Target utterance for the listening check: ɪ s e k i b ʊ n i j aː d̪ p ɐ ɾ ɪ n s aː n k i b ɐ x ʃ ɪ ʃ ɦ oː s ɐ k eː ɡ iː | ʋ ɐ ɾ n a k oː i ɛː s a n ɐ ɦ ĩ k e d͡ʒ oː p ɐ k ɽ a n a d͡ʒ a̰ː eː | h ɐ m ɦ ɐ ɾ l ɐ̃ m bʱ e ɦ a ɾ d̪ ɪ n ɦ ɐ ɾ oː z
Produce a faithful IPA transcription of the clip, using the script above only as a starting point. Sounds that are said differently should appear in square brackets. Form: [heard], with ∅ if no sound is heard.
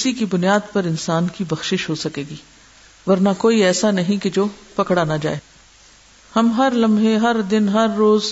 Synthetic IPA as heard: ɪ s [i] k i b ʊ n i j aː d̪ p ɐ ɾ ɪ n s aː n k i b ɐ x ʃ ɪ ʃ ɦ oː s ɐ k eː ɡ iː | ʋ ɐ ɾ n a k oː i ɛː s a n ɐ ɦ ĩ k e d͡ʒ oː p ɐ k ɽ a n a d͡ʒ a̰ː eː | h ɐ m ɦ ɐ ɾ l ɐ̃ m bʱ e ɦ [ɐ] ɾ d̪ ɪ n ɦ ɐ [ɾː] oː z